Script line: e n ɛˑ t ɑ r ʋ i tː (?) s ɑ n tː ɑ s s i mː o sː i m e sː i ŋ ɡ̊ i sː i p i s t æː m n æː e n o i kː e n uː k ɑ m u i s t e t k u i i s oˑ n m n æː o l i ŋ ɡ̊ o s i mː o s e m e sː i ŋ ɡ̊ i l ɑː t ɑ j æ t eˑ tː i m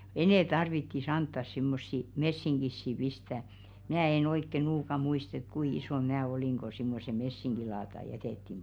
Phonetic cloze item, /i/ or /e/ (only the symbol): i